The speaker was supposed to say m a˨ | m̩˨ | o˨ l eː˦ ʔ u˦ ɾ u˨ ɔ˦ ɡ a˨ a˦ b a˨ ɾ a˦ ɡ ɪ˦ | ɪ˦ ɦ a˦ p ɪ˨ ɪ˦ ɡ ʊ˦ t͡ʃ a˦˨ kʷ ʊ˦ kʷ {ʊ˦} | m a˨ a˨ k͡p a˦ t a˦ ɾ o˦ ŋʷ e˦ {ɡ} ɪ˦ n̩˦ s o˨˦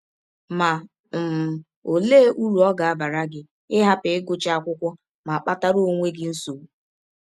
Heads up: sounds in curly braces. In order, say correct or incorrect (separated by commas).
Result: correct, correct